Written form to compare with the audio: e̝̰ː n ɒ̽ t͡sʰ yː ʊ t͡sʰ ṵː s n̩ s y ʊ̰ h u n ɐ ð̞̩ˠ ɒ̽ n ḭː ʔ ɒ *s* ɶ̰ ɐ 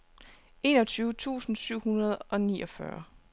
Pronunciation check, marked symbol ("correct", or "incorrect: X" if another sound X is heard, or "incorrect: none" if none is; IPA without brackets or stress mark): incorrect: f